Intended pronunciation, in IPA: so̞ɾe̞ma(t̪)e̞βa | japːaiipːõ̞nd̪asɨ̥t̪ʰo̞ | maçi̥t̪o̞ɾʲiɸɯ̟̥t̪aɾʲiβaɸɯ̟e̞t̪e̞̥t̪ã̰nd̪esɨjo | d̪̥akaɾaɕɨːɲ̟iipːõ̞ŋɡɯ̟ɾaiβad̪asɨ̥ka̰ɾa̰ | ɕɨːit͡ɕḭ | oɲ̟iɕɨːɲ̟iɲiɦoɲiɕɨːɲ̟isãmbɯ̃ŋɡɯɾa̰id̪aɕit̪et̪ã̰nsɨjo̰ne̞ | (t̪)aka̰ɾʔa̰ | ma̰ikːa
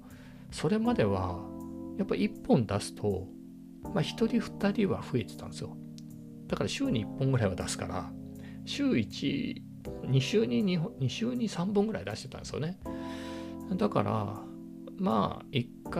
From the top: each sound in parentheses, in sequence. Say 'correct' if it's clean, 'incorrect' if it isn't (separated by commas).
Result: incorrect, incorrect